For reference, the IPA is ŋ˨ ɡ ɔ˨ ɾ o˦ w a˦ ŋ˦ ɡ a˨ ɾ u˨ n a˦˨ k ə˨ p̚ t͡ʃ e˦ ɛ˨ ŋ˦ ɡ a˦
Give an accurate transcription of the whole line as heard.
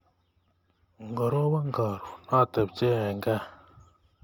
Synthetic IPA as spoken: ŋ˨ ɡ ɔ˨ ɾ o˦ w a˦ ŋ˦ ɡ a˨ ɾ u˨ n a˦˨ t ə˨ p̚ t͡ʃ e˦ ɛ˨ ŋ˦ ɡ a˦